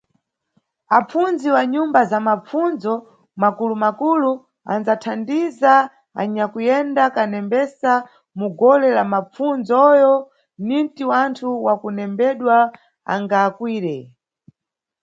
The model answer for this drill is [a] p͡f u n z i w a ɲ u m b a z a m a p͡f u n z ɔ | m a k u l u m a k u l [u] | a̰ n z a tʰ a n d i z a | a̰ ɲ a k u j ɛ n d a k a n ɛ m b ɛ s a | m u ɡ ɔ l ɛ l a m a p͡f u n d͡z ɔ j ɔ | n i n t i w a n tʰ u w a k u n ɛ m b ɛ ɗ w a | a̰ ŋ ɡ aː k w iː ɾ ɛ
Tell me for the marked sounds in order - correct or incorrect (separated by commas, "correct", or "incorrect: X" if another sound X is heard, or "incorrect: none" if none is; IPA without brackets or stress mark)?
correct, correct